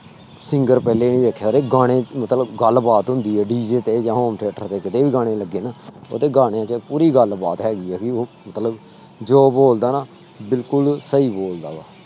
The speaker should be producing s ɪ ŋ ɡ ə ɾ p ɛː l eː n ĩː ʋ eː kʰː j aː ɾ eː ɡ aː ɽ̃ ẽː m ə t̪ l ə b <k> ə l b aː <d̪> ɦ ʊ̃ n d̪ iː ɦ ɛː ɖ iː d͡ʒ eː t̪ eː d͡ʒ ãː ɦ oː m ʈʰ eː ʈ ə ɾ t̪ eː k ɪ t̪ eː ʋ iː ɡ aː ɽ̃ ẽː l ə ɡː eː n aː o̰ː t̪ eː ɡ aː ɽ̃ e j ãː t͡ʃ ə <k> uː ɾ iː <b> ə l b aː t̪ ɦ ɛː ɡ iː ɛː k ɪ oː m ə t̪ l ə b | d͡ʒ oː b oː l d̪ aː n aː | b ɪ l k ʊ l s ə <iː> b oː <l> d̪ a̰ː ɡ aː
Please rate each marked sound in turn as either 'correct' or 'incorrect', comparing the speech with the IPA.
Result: incorrect, incorrect, incorrect, incorrect, correct, correct

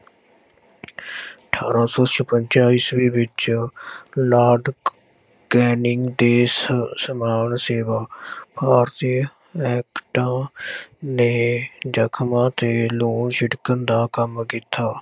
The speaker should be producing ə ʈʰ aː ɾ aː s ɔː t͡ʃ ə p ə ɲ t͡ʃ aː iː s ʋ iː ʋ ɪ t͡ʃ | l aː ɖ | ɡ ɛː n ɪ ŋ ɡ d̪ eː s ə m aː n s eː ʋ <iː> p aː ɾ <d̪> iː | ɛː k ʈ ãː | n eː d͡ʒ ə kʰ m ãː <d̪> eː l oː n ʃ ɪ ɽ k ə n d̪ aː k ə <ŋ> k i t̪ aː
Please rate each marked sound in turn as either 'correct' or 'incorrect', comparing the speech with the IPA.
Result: incorrect, incorrect, incorrect, incorrect

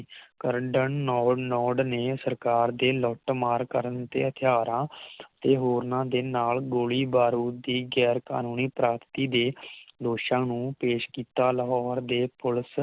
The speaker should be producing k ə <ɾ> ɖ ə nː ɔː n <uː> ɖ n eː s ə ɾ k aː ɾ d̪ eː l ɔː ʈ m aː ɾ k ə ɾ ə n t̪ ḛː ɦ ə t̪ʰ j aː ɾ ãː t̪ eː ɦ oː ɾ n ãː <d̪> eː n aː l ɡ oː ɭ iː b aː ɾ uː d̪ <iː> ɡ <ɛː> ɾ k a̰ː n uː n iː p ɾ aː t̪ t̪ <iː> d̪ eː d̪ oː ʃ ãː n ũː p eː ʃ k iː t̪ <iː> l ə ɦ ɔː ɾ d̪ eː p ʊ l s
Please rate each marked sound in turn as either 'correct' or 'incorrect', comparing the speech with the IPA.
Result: correct, incorrect, correct, correct, correct, correct, incorrect

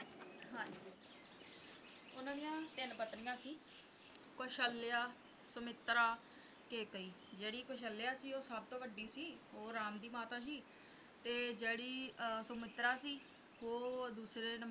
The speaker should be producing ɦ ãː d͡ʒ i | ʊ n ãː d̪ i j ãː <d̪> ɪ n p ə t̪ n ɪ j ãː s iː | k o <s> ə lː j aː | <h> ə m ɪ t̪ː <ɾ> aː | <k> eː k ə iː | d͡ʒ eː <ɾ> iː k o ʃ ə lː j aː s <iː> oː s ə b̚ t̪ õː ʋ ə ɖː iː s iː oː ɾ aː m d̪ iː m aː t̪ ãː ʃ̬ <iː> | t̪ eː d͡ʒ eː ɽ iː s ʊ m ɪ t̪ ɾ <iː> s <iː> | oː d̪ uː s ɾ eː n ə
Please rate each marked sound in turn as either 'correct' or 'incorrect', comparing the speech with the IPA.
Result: incorrect, incorrect, incorrect, correct, correct, incorrect, correct, correct, incorrect, correct

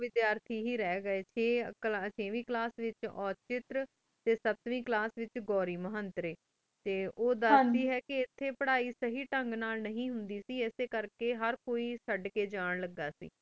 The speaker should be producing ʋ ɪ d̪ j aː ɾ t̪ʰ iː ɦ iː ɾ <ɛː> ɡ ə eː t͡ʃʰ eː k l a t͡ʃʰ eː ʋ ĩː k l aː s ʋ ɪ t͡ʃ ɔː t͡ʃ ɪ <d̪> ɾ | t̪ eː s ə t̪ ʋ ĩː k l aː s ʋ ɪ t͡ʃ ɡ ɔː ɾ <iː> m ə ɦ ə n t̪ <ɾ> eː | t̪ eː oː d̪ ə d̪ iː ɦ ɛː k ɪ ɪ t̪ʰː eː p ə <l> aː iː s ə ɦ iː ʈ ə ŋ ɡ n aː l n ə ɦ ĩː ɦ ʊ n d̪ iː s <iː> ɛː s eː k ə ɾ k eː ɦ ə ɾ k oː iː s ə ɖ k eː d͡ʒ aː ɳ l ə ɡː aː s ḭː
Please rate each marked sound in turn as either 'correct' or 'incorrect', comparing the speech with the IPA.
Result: correct, incorrect, correct, correct, incorrect, correct

